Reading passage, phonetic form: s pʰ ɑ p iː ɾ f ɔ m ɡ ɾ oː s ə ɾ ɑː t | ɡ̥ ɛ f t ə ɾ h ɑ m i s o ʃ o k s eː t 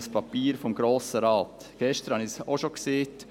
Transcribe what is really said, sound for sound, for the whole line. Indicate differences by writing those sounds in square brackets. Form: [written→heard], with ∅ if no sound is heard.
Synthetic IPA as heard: s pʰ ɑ p iː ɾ f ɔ m ɡ ɾ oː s ə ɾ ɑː t | ɡ̥ ɛ [f→ʃ] t ə ɾ h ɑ [m→n] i s o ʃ o k s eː t

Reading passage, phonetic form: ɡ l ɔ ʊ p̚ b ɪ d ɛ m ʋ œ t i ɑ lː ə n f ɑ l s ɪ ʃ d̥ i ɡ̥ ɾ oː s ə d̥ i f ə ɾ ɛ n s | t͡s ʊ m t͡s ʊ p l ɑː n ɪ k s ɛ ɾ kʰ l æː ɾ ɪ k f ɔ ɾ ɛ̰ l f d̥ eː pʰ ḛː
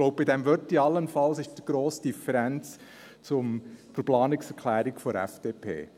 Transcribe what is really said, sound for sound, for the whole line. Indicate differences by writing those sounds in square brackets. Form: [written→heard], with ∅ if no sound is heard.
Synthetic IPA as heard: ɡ l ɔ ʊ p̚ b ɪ d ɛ m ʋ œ t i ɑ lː ə n f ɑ l s ɪ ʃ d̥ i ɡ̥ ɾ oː s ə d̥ i f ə ɾ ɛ n [s→t͡s] | t͡s ʊ m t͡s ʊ p l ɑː n ɪ k s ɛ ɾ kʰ l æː ɾ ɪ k f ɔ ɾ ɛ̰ [l→∅] f d̥ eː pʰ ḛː

